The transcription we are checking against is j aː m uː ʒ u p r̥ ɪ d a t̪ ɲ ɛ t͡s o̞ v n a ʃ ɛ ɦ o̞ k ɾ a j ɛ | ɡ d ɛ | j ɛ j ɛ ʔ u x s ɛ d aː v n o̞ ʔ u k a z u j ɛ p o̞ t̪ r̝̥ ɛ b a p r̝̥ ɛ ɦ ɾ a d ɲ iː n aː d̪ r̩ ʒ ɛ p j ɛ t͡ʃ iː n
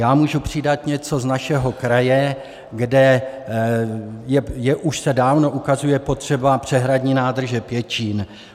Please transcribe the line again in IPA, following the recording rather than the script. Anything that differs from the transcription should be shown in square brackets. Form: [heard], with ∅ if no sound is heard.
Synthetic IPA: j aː m uː ʒ u p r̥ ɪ d a t̪ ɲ ɛ t͡s o̞ [z] n a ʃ ɛ ɦ o̞ k ɾ a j ɛ | ɡ d ɛ | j ɛ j ɛ ʔ u [ʃ] s ɛ d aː v n o̞ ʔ u k a z u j ɛ p o̞ t̪ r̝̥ ɛ b a p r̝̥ ɛ ɦ ɾ a d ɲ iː n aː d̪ r̩ ʒ ɛ p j ɛ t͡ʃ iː n